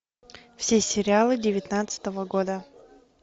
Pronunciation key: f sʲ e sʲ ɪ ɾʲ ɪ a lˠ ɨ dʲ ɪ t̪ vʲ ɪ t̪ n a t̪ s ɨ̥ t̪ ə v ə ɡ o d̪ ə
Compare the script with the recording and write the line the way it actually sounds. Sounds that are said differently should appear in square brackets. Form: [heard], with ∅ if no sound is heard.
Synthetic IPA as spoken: f sʲ e sʲ ɪ ɾʲ ɪ a lˠ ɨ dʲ ɪ [∅] vʲ ɪ t̪ n a t̪ s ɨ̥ t̪ ə v ə ɡ o d̪ ə